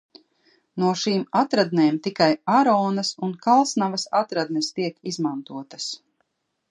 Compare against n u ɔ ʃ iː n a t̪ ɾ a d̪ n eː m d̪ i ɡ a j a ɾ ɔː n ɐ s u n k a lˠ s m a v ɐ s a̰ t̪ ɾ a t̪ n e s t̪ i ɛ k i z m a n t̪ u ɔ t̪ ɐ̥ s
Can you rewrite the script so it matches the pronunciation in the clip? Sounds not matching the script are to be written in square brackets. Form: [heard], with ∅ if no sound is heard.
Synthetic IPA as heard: n u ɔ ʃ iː [m] a t̪ ɾ a d̪ n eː m [t̪] i [k] a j a ɾ ɔː n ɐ s u n k a lˠ s [n] a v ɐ s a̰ t̪ ɾ a [d̪] n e s t̪ i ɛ k i z m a n t̪ u ɔ t̪ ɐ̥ s